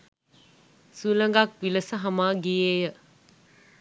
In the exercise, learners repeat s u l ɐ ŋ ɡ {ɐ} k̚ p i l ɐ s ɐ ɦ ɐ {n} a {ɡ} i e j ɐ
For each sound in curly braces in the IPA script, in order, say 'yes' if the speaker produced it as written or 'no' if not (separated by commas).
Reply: no, no, yes